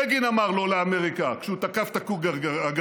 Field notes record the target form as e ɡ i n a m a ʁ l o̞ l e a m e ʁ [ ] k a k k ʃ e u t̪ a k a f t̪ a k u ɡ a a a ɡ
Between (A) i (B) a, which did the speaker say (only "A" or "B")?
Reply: A